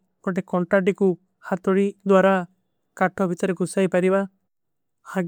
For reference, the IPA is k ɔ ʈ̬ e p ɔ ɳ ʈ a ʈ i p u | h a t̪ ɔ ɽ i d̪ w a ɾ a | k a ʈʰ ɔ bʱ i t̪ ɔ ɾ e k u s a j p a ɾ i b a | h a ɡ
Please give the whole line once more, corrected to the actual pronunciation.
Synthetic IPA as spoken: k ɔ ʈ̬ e k ɔ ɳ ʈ a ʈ i k u | h a t̪ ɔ ɽ i d̪ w a ɾ a | k a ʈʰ ɔ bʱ i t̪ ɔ ɾ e k u s a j p a ɾ i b a | h a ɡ